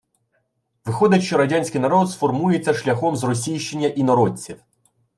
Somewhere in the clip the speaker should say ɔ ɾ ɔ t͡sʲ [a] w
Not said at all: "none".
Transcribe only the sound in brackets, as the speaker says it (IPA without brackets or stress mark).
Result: i